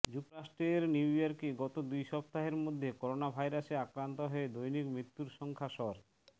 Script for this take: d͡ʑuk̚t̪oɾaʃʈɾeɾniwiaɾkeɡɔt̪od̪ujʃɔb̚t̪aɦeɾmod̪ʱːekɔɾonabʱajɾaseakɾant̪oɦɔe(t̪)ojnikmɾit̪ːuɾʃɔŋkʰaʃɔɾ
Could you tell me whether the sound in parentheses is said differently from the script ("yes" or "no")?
yes